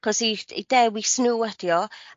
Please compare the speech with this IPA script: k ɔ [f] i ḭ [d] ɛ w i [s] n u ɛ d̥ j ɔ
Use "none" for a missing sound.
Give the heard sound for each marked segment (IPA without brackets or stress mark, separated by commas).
s, d, s